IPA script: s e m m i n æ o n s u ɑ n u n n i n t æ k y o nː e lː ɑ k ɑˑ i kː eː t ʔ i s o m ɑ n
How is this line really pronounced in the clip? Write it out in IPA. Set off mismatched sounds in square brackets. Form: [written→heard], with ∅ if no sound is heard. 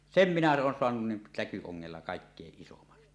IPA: s e m m i n æ [o→oː] n s [u→o] ɑ n u n n i n t æ k y o [nː→ŋː] e lː ɑ k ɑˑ i kː eː [t→ʔ] ʔ i s o m ɑ n